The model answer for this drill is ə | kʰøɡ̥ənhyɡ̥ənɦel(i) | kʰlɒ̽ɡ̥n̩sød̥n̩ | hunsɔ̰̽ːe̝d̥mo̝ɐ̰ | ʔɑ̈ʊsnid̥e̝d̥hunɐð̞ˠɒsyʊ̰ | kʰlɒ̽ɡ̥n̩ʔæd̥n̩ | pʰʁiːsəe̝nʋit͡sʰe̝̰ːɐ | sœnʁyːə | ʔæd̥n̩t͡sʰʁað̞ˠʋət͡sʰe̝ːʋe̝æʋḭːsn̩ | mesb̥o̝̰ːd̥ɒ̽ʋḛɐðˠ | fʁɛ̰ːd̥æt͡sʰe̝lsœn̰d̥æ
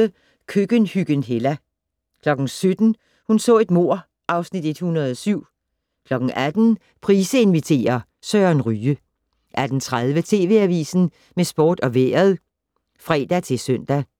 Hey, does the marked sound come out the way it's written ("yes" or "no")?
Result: no